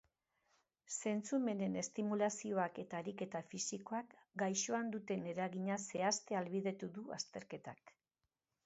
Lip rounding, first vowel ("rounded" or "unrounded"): unrounded